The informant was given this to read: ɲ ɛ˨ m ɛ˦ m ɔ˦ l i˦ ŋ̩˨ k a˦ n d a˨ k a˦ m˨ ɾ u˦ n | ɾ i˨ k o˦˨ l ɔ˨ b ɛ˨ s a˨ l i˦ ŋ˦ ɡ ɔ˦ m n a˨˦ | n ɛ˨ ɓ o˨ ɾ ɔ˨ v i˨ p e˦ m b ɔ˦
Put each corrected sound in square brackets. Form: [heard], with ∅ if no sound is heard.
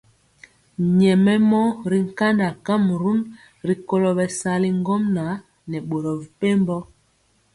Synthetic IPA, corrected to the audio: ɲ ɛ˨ m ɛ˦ m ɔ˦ [ɾ] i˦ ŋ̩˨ k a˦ n d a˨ k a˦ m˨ ɾ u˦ n | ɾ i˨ k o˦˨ l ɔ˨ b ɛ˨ s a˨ l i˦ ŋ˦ ɡ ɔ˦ m n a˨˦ | n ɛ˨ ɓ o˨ ɾ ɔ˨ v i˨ p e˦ m b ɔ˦